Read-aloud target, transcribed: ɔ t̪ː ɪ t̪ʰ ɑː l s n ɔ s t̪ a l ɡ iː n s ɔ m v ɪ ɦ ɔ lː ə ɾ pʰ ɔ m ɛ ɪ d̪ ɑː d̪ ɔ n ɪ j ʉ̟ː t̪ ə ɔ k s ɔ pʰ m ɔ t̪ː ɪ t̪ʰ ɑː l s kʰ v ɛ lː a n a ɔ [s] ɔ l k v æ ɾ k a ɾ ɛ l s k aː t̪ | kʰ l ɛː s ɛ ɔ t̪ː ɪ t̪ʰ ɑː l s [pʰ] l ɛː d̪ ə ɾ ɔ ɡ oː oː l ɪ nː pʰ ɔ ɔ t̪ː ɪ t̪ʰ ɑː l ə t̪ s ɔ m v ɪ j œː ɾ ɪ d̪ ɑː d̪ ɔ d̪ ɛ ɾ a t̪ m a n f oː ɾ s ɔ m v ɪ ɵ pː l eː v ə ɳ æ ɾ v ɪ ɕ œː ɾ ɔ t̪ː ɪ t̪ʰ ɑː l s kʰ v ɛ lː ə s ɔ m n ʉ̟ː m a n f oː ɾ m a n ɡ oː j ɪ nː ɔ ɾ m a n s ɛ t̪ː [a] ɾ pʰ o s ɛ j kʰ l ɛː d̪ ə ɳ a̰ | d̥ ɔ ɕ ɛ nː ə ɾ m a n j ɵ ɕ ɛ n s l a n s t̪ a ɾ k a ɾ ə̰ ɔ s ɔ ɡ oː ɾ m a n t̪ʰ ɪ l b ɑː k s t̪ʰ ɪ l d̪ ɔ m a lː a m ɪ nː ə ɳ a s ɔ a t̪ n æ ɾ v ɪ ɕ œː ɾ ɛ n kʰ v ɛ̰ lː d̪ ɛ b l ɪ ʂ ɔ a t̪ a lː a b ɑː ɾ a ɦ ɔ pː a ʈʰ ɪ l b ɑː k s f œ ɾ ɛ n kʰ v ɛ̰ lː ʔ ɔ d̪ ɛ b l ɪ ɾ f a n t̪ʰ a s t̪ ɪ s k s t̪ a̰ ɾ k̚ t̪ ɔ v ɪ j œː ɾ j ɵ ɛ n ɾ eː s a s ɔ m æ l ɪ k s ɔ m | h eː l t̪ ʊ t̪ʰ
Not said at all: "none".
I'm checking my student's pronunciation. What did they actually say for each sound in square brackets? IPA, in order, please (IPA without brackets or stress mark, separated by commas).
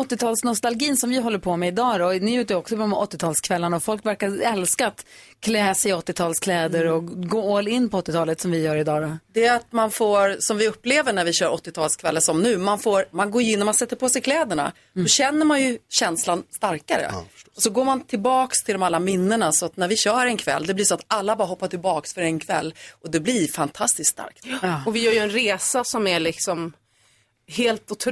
f, kʰ, ə